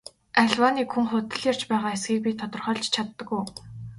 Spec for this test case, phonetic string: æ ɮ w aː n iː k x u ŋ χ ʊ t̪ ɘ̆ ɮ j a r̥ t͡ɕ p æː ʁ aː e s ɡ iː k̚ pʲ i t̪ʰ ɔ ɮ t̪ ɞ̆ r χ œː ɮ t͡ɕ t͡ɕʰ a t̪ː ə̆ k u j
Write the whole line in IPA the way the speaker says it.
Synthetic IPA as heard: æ ɮ w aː n iː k x u ŋ χ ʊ t̪ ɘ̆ ɮ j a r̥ t͡ɕ p æː ʁ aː e s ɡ iː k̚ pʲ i t̪ʰ ɔ t̪ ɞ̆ r χ œː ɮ t͡ɕ t͡ɕʰ a t̪ː ə̆ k u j